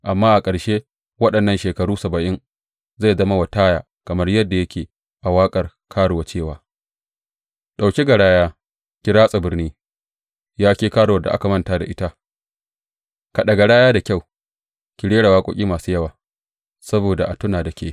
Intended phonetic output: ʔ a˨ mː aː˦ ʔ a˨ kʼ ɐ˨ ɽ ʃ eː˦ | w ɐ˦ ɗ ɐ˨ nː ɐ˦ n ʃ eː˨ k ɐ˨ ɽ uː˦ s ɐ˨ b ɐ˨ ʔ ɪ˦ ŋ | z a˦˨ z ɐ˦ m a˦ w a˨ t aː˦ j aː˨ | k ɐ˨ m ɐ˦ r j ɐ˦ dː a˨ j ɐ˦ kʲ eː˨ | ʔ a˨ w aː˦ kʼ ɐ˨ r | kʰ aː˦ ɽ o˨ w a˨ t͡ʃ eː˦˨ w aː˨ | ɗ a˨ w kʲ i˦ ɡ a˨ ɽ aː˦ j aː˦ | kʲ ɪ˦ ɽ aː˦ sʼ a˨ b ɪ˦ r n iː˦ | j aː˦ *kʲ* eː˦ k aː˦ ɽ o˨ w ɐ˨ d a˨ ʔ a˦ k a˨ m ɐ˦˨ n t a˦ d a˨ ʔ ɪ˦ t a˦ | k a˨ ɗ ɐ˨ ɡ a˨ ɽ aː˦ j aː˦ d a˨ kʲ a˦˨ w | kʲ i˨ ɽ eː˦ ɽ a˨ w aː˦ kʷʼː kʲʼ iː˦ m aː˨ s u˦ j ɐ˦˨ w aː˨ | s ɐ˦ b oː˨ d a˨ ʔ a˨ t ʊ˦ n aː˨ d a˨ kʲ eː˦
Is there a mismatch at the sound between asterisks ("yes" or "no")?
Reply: no